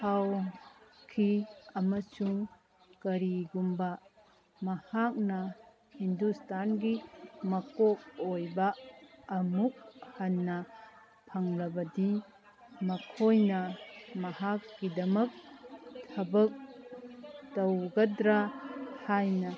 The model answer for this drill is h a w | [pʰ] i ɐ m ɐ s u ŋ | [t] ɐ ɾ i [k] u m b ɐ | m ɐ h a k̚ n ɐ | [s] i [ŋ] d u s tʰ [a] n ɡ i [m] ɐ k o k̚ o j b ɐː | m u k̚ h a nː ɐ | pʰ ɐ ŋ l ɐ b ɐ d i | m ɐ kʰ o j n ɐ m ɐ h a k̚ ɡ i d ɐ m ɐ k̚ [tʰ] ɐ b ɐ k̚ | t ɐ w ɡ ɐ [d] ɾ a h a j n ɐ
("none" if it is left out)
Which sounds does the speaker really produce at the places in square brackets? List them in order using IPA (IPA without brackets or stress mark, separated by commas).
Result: kʰ, k, ɡ, h, n, a, m, tʰ, d